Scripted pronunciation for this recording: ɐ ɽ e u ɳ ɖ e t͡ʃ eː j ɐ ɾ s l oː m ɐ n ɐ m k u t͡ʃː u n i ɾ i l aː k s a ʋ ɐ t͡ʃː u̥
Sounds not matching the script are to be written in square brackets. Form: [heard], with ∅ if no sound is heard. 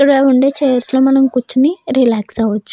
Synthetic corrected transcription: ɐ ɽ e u ɳ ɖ e t͡ʃ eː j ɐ ɾ s l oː m ɐ n ɐ m k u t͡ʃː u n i ɾ i l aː k s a ʋ ɐ t͡ʃː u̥